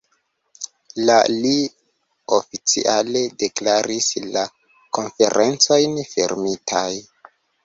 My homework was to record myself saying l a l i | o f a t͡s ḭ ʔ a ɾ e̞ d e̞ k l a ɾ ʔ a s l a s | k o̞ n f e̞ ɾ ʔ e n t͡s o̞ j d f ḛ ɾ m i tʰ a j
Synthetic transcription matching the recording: l a l i | o f i t͡s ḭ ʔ a l e̞ d e̞ k l a ɾ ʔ i s l a | k o̞ n f e̞ ɾ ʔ e n t͡s o̞ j n f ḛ ɾ m i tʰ a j